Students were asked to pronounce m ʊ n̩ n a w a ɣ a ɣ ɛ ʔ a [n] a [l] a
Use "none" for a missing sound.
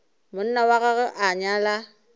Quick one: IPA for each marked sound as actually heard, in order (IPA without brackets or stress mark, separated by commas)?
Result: ɲ, l